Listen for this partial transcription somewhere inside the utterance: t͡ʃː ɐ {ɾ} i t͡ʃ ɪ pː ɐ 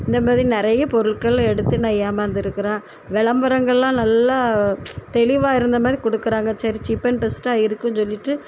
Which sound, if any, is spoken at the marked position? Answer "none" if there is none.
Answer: ɾ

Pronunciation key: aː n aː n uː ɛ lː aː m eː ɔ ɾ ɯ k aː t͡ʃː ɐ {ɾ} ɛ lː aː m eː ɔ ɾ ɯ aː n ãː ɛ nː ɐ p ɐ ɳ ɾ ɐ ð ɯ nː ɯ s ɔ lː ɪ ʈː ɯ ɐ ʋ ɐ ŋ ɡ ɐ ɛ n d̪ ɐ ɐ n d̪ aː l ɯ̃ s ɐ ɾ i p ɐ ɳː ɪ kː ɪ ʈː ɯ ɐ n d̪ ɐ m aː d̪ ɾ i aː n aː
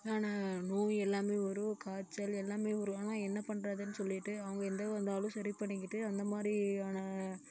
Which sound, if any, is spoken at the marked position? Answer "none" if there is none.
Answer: l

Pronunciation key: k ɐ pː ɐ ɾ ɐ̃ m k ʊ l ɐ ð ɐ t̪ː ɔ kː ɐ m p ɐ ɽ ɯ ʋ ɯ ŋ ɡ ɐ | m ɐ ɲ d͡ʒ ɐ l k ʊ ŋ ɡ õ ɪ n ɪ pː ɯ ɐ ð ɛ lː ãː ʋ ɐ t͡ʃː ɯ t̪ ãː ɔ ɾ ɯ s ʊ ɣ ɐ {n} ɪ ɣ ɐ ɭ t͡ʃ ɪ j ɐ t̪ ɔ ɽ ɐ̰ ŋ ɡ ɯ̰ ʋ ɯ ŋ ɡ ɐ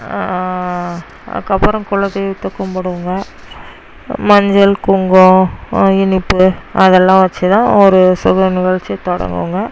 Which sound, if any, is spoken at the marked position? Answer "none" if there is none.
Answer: n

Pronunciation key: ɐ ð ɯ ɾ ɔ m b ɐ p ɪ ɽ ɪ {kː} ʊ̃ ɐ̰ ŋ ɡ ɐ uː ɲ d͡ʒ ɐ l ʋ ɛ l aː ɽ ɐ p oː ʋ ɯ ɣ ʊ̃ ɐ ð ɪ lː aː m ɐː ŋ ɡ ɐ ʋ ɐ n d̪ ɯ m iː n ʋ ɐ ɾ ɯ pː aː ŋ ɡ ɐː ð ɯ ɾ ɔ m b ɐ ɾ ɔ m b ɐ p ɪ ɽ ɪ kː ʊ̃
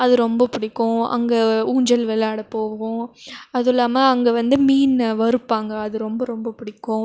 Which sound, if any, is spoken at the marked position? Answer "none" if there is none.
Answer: kː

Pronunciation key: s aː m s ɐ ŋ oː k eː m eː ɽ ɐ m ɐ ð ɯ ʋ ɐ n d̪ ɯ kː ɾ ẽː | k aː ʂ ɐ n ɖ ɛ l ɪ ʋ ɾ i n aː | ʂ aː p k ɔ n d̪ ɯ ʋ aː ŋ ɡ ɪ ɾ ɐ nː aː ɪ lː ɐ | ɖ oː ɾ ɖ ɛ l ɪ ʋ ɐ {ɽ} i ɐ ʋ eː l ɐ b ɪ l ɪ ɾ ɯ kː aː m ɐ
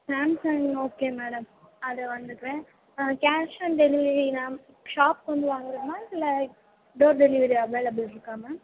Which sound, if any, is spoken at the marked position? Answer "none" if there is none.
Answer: ɾ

